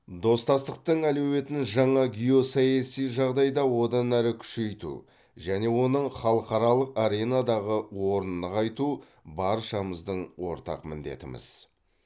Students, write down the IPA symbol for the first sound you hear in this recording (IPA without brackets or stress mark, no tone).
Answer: d̪